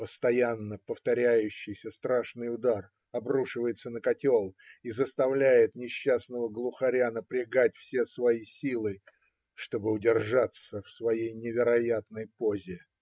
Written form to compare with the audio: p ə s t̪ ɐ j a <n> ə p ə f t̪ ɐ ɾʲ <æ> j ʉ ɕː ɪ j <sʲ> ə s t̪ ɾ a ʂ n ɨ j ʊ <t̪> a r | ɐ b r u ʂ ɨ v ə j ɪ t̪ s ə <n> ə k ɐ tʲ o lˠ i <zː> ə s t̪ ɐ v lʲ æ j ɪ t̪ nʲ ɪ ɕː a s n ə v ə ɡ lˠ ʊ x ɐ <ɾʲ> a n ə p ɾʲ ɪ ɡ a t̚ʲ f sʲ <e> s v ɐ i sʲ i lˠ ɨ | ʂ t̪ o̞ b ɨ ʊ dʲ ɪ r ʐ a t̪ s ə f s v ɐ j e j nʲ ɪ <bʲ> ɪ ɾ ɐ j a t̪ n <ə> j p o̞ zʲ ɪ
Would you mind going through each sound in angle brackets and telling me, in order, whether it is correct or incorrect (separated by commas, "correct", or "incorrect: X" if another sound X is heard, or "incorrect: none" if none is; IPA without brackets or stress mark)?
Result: incorrect: nː, correct, correct, incorrect: d̪, correct, incorrect: z, correct, correct, incorrect: vʲ, correct